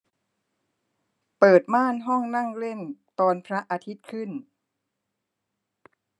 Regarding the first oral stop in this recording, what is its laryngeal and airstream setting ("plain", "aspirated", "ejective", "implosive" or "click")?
plain